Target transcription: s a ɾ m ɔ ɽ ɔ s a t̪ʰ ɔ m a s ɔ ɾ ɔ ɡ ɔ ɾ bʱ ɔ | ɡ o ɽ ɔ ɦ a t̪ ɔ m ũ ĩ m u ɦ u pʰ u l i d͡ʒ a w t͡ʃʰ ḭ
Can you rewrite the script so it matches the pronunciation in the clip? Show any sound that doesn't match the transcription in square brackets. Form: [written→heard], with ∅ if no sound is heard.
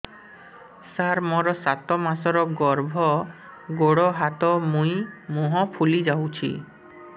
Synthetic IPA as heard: s a ɾ m ɔ [ɽ→ɾ] ɔ s a [t̪ʰ→t̪] ɔ m a s ɔ ɾ ɔ ɡ ɔ ɾ bʱ ɔ | ɡ o ɽ ɔ ɦ a t̪ ɔ m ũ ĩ m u ɦ [u→ɔ] pʰ u l i d͡ʒ a w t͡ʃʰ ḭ